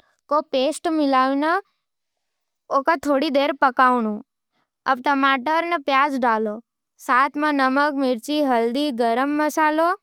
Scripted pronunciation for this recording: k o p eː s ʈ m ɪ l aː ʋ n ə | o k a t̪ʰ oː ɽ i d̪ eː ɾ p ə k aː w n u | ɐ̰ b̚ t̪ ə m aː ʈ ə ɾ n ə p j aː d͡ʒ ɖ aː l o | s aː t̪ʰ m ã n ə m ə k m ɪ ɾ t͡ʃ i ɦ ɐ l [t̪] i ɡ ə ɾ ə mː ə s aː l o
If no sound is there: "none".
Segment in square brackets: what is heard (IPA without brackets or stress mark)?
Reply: d̪